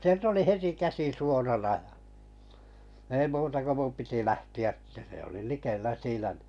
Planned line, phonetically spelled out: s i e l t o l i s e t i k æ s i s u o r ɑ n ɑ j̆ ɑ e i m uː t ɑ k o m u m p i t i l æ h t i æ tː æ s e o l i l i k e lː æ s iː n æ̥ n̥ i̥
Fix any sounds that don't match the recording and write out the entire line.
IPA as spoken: s i e l t o l i h e t i k æ s i s u o r ɑ n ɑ j̆ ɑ e i m uː t ɑ k o m u m p i t i l æ h t i æ tː æ s e o l i l i k e lː æ s iː n æ̥ n̥ i̥